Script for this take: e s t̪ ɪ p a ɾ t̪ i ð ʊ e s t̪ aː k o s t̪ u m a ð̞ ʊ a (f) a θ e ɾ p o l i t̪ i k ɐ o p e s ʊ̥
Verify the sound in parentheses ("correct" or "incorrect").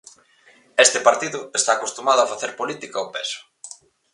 correct